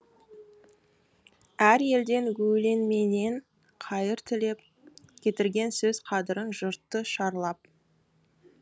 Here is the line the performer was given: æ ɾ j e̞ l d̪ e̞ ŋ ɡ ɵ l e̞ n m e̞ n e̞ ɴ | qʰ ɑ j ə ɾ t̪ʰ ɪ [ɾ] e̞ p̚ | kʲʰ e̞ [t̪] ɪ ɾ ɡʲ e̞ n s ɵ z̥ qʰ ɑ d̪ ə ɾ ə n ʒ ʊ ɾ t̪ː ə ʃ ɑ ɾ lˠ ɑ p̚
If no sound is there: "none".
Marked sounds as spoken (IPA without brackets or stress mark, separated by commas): l, t̪